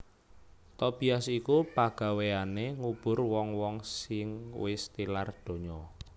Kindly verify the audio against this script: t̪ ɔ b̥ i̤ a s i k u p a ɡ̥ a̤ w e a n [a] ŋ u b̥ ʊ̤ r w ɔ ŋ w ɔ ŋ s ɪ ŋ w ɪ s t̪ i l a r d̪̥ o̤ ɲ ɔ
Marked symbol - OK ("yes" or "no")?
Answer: no